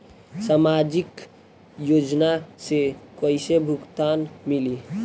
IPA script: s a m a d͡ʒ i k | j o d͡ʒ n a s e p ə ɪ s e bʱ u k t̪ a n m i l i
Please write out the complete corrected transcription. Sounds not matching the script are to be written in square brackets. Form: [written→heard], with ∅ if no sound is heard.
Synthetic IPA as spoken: s a m a d͡ʒ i k | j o d͡ʒ n a s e [p→k] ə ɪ s e bʱ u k t̪ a n m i l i